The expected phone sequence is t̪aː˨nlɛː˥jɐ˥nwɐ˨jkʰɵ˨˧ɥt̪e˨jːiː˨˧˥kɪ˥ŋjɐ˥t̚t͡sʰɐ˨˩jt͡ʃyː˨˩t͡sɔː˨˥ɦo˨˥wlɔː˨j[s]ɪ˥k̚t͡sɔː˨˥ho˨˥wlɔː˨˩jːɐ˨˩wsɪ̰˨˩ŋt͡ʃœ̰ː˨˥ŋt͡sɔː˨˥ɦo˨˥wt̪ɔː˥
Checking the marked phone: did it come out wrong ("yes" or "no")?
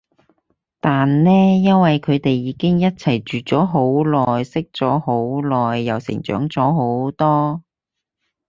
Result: no